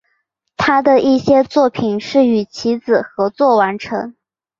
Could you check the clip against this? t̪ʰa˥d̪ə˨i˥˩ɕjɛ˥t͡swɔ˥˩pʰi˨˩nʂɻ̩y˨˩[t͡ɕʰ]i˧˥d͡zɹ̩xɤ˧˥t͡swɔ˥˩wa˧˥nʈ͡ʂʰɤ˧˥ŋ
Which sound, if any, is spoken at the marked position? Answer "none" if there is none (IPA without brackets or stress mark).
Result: t͡ɕʰ